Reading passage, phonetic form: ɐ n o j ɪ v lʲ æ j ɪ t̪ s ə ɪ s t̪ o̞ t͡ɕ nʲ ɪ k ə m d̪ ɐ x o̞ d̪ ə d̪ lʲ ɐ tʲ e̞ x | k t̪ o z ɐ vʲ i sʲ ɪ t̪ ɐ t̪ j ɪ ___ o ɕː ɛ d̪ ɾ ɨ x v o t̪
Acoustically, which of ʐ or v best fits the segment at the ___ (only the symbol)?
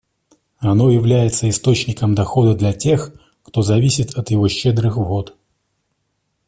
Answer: v